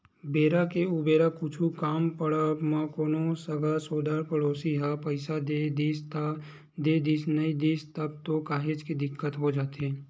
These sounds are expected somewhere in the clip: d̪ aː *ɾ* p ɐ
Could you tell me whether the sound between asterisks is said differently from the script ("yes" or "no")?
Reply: no